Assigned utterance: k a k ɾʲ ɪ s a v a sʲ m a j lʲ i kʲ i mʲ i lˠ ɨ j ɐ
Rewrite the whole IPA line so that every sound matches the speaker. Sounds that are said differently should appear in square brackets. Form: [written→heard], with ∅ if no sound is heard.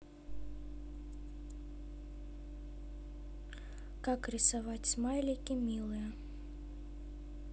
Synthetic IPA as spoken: k a k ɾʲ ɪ s a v a [sʲ→t͡sʲ] m a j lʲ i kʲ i mʲ i lˠ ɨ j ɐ